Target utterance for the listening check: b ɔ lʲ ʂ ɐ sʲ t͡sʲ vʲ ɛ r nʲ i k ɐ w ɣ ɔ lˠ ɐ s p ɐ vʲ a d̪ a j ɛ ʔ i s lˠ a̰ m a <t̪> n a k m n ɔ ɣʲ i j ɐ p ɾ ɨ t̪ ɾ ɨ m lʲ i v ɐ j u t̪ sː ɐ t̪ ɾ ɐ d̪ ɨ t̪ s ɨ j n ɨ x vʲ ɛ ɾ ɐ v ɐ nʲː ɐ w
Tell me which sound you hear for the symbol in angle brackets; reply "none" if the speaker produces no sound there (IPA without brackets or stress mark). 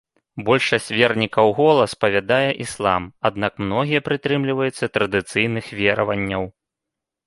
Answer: d̪